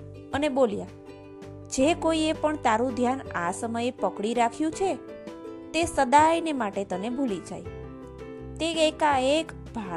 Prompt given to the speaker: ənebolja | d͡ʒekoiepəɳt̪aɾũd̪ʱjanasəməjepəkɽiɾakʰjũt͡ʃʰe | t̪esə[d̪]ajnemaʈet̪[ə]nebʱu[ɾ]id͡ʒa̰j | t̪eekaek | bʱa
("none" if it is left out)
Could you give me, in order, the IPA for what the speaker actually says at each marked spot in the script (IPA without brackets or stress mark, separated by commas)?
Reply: d̪, ə, l